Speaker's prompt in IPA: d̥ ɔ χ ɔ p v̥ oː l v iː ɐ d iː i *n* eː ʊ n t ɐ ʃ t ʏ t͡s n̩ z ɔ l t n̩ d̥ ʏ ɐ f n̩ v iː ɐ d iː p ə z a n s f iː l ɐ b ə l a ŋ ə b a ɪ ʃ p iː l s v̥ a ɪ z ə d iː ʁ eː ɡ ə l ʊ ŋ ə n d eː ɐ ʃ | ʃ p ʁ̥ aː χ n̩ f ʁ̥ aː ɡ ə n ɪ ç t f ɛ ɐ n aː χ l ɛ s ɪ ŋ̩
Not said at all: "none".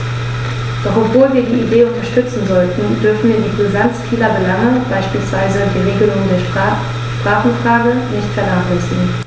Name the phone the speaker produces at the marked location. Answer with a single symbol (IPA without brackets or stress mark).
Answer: d